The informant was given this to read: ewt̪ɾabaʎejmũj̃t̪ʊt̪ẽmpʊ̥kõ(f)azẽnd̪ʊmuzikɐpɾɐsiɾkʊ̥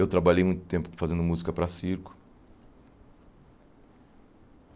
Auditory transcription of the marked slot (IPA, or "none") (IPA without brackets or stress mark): f